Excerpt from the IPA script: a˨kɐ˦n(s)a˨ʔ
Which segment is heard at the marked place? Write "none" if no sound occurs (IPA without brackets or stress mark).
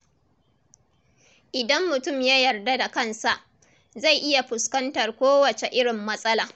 s